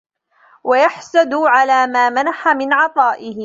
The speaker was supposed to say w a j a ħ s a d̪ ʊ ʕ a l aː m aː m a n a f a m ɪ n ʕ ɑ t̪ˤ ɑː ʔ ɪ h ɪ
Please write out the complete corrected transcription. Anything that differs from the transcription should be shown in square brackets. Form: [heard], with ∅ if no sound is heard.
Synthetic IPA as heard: w a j a ħ s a d̪ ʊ ʕ a l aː m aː m a n a [ħ] a m ɪ n ʕ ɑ t̪ˤ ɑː ʔ ɪ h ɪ